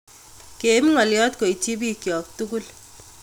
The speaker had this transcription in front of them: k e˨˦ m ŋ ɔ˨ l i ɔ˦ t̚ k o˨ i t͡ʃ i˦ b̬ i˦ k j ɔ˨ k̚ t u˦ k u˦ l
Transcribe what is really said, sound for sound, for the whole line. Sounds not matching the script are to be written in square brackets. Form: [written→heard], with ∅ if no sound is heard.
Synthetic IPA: k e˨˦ m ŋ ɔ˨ l [i→j] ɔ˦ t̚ k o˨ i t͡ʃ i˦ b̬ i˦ k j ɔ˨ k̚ t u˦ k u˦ l

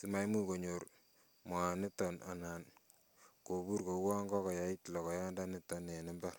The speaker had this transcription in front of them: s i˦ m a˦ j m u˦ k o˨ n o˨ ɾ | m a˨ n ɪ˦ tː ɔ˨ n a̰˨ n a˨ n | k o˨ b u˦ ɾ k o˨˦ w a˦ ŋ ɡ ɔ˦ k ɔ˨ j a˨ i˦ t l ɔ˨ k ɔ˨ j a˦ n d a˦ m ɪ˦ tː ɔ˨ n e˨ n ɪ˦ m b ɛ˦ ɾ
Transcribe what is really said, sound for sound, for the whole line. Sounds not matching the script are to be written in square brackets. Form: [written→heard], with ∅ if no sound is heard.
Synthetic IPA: s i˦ m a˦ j m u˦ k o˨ [n→ɲ] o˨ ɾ | m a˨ n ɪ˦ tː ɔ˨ n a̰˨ n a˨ n | k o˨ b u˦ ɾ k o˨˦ w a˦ ŋ ɡ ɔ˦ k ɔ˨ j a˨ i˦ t l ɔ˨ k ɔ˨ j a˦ n d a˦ [m→n] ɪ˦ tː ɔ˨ n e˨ n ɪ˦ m b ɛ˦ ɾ

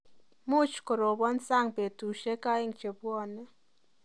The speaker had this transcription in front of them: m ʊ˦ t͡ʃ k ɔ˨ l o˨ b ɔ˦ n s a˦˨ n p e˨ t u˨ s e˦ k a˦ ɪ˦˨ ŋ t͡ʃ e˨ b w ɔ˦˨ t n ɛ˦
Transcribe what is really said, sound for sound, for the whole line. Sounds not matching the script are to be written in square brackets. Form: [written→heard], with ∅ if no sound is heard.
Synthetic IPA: m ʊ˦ t͡ʃ k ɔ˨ [l→ɾ] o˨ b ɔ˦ n s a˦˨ [n→ŋ] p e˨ t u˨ [s→ʃ] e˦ k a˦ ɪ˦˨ ŋ t͡ʃ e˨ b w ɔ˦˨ [t→∅] n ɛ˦

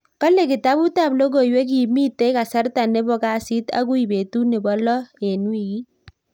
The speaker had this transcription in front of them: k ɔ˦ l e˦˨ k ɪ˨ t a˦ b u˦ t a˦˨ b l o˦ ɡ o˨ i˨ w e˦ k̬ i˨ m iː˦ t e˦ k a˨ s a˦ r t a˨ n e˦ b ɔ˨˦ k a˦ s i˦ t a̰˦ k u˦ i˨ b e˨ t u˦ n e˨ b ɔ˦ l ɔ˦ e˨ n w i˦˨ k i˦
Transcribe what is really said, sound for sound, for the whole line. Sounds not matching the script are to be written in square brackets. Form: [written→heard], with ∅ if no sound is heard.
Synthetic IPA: k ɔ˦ l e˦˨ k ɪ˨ t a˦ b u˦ t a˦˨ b l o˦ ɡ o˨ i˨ w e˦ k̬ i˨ m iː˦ t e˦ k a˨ s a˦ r t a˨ n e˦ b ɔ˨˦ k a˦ s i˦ t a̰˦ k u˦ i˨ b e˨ t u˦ n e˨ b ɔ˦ l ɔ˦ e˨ n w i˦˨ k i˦

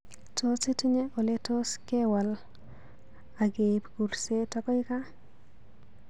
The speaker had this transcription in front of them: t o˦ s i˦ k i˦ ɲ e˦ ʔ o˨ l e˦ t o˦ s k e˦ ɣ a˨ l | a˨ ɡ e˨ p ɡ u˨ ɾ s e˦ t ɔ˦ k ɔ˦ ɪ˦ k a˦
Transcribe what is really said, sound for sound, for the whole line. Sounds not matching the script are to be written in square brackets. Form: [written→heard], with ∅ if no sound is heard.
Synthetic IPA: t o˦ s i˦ [k→t] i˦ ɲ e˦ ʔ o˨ l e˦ t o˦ s k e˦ [ɣ→w] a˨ l | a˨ ɡ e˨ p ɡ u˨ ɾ s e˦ t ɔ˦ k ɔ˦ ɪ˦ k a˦

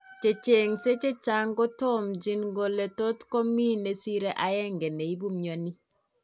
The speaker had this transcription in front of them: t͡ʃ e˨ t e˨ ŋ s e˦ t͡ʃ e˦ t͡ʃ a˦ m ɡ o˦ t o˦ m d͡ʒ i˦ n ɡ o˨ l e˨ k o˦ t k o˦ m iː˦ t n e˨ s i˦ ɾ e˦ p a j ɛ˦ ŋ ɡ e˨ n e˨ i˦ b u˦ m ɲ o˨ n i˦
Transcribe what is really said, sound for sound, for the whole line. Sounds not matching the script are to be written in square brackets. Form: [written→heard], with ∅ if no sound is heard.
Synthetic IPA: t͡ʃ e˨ [t→t͡ʃ] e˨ ŋ s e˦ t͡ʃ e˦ t͡ʃ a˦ [m→ŋ] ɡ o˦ t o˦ m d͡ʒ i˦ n ɡ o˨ l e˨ [k→t] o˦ t k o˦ m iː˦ [t→∅] n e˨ s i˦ ɾ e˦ [p→ʔ] a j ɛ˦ ŋ ɡ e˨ n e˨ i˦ b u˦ m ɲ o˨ n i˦

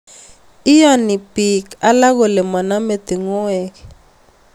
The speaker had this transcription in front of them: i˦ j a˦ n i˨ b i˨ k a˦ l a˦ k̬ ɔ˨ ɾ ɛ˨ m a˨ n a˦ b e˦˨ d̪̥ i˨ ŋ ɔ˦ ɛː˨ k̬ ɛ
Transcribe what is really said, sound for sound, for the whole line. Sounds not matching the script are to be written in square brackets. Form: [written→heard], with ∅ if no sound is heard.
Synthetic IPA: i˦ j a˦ n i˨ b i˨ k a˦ l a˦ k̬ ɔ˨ [ɾ→l] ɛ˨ m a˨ n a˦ [b→m] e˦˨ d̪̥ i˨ ŋ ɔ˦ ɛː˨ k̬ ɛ

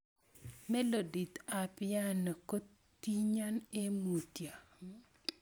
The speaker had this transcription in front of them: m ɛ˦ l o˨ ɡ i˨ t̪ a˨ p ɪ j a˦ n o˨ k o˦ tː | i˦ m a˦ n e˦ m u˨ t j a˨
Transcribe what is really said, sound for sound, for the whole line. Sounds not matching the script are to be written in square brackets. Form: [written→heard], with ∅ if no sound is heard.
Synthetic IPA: m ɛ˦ l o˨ [ɡ→d] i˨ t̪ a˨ p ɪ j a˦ n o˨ k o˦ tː | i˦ [m→ɲ] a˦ n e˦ m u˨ t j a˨

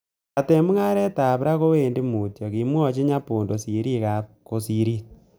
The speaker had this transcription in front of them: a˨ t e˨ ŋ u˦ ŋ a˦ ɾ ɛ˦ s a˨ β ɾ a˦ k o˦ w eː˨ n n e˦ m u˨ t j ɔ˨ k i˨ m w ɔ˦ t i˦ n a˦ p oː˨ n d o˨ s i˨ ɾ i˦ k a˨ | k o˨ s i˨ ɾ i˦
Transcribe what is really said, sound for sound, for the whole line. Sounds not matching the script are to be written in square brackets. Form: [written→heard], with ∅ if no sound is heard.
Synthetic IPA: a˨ t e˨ [ŋ→m] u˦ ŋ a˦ ɾ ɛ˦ [s→t] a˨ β ɾ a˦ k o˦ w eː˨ n [n→d] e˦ m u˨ t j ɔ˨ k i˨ m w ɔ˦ [t→t͡ʃ] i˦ [n→ɲ] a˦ p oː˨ n d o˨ s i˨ ɾ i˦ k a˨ | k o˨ s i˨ ɾ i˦

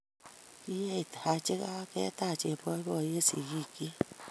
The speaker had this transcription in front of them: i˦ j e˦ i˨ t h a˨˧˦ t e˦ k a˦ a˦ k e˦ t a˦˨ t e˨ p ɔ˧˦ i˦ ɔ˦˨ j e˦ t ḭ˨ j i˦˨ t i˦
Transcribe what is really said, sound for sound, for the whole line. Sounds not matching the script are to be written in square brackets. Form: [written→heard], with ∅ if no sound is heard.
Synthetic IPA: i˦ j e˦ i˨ t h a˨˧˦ [t→t͡ʃ] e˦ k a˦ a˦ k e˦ t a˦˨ [t→t͡ʃ] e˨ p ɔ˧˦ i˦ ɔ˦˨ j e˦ [t→s] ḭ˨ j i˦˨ [t→k] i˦

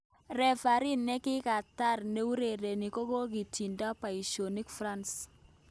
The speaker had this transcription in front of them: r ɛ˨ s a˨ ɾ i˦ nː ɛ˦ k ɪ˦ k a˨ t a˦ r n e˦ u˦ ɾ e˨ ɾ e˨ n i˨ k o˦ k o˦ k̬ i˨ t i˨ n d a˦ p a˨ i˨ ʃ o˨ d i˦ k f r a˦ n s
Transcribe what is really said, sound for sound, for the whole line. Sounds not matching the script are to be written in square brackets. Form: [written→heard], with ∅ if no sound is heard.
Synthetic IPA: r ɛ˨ [s→f] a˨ ɾ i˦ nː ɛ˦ k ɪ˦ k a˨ t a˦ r n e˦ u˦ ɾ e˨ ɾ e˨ n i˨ k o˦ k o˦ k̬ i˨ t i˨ n d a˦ p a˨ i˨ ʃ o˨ [d→n] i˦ k f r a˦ n s

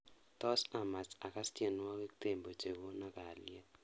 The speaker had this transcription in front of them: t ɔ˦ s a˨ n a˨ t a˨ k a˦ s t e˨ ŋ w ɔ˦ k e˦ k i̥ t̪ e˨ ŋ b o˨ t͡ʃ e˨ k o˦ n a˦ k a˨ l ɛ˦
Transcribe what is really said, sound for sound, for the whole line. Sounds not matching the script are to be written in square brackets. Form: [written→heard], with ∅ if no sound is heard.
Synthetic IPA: t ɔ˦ s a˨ [n→m] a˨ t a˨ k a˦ s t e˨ [ŋ→n] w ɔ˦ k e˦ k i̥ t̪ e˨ [ŋ→m] b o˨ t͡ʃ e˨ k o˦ n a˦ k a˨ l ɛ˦

